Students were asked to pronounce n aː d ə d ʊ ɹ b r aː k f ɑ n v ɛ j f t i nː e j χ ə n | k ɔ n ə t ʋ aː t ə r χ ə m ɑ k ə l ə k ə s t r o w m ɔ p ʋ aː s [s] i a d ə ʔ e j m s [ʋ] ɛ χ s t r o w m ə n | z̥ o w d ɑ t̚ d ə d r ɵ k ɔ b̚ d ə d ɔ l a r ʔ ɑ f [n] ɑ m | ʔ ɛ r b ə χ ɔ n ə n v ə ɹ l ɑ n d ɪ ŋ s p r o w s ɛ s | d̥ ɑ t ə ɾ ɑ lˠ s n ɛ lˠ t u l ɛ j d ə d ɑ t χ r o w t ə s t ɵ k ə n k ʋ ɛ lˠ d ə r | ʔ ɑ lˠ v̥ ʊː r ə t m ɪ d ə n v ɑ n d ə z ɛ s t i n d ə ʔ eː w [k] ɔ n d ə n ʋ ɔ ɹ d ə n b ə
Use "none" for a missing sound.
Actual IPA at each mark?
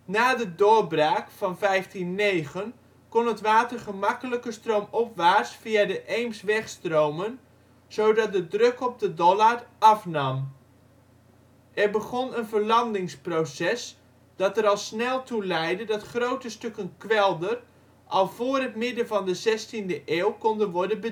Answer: f, ʋ, n, k

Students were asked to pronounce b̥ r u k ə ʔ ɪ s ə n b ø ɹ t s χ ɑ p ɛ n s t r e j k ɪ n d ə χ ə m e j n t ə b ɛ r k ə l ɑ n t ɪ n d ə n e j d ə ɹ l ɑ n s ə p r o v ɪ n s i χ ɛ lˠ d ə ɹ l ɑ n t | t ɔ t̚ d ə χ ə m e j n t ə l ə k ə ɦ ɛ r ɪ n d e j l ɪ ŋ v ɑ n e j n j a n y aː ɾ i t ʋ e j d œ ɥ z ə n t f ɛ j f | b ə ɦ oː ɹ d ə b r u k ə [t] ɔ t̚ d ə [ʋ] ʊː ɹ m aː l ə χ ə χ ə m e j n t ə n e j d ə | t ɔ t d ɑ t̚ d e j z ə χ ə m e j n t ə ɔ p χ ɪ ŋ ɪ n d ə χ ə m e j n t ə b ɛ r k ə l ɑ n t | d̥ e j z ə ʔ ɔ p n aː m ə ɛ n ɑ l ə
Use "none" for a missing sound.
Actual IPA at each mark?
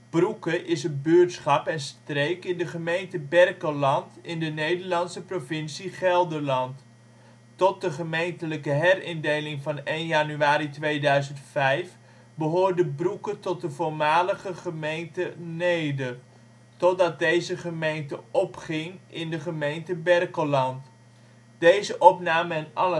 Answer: t, v

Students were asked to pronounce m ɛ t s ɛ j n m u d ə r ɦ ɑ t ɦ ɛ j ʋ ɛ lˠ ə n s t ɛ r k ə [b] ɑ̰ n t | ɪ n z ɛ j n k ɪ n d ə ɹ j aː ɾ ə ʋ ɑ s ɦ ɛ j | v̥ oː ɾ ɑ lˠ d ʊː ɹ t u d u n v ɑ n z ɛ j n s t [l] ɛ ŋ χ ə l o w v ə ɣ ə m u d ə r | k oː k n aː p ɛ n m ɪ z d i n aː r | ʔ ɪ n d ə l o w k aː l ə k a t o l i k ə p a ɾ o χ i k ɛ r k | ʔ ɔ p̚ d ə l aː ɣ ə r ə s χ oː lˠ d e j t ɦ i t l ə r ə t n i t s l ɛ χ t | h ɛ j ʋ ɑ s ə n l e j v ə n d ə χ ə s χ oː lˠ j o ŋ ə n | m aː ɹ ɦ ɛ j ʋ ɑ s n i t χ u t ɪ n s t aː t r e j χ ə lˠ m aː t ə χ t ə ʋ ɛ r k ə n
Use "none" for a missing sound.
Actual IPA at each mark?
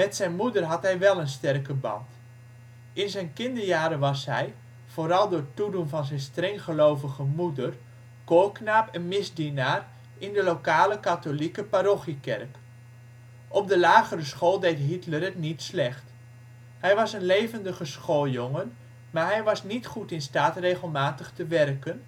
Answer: b, r

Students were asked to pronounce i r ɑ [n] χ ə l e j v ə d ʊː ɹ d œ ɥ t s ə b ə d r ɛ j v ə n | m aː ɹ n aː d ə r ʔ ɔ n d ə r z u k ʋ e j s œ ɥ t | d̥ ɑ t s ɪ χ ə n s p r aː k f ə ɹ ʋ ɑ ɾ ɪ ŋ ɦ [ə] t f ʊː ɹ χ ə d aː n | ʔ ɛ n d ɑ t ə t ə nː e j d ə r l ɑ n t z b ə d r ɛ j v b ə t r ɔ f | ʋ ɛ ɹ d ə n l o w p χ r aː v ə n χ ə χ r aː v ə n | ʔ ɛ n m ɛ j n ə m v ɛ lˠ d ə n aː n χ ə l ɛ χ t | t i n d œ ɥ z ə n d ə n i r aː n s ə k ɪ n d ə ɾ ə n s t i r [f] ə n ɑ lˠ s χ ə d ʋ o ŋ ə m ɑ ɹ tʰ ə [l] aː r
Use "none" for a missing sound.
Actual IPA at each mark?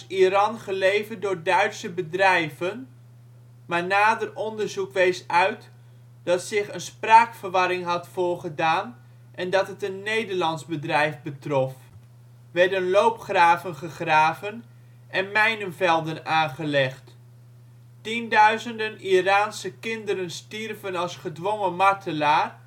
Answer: n, ɑ, v, l

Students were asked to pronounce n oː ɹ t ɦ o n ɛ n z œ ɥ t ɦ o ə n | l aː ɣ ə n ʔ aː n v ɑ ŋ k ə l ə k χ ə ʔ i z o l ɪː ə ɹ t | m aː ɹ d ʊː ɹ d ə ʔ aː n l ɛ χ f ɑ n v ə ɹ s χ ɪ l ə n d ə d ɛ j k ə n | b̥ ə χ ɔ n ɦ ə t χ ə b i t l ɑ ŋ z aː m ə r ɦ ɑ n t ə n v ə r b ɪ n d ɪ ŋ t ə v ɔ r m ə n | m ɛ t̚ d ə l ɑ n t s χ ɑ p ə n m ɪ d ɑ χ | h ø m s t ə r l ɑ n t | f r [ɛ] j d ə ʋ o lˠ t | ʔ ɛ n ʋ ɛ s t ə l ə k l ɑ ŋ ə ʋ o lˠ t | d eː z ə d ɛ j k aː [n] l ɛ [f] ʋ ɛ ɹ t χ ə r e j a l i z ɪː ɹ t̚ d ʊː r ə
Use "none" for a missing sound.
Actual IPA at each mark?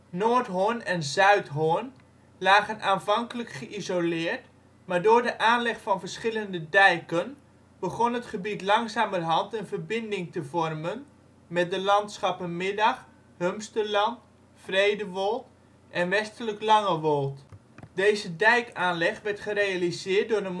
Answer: e, n, χ

